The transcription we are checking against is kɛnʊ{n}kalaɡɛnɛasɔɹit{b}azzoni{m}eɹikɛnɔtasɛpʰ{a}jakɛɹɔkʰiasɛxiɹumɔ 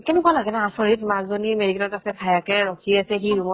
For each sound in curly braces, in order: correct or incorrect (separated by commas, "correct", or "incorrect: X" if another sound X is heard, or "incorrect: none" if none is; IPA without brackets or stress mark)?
incorrect: none, incorrect: m, correct, correct